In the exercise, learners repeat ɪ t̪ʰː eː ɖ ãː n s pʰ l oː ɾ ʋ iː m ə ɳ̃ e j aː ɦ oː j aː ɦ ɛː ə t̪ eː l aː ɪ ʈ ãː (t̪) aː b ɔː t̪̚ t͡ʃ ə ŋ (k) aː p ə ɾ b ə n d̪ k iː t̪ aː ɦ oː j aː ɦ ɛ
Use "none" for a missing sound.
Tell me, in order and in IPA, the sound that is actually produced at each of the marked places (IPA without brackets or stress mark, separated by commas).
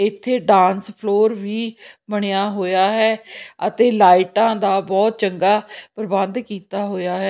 d̪, ɡ